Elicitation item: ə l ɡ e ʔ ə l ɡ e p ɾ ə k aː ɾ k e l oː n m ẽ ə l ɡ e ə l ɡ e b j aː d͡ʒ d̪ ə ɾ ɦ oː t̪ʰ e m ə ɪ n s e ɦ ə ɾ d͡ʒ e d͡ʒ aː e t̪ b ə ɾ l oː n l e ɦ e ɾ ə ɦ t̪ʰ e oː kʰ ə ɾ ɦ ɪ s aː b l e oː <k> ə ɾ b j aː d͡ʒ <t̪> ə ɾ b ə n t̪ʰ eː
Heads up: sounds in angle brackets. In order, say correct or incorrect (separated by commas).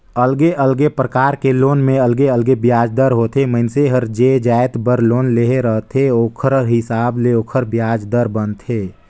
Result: incorrect, incorrect